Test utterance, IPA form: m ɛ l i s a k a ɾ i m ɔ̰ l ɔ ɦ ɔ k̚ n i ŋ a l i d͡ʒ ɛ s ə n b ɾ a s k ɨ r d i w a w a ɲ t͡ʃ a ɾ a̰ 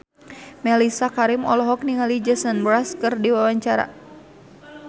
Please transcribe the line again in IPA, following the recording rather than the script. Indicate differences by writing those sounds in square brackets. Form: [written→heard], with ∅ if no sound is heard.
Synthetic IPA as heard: m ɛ l i s a k a ɾ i m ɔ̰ l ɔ ɦ ɔ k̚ n i ŋ a l i d͡ʒ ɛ s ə n b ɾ a s k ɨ r d i w a w a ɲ t͡ʃ a ɾ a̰